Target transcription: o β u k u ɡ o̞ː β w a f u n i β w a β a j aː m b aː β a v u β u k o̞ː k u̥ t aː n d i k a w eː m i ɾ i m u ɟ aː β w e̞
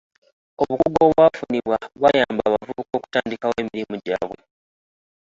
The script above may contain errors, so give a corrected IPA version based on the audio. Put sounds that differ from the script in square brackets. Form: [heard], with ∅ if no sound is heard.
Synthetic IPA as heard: o β u k u ɡ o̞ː β w a f u n i β w a β a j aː m b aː β a v u β u k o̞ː k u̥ t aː n d i k a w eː m i ɾ i m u ɟ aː β w e̞